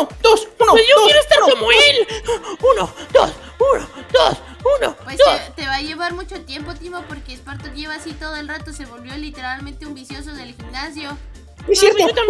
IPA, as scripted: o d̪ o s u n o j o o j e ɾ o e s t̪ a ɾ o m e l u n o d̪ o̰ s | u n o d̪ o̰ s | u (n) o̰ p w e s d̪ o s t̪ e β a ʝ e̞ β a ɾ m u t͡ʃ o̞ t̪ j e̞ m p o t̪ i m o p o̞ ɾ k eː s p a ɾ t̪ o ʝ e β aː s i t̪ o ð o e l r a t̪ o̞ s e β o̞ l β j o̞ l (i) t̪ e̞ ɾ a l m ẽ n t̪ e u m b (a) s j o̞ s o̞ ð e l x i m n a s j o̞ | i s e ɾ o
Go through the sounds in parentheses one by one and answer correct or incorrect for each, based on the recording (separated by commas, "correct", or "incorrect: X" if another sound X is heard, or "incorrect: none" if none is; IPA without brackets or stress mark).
correct, correct, incorrect: i